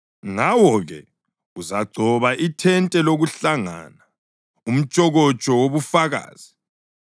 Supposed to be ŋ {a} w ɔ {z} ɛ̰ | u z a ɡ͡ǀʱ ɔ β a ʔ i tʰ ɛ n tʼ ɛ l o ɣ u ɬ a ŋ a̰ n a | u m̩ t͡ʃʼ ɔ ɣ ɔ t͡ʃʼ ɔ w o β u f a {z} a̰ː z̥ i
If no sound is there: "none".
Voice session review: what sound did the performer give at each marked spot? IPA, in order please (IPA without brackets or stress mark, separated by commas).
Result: a, ɣ, ɣ